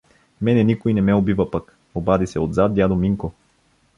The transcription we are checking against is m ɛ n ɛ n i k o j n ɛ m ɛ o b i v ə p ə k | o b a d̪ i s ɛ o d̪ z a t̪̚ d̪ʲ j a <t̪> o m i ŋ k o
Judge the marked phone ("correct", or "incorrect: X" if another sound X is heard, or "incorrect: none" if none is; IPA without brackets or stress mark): incorrect: d̪